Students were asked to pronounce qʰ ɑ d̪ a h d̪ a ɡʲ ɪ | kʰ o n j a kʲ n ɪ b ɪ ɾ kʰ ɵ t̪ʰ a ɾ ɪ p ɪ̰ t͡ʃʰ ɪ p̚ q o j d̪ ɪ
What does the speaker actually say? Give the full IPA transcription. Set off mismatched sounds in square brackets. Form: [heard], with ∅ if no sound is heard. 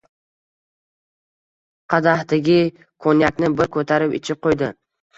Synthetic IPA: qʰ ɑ d̪ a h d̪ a ɡʲ ɪ | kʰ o n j a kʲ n ɪ b ɪ ɾ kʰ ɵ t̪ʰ a ɾ ɪ p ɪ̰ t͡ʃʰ ɪ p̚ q o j d̪ ɪ